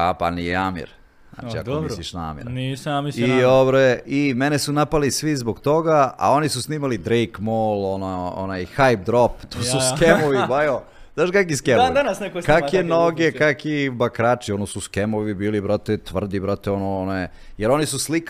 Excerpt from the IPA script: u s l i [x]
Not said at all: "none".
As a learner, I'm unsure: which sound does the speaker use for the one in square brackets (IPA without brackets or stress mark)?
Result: k